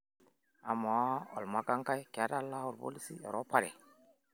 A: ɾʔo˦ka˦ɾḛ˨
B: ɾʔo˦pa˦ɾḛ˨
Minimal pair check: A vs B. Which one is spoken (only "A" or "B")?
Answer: B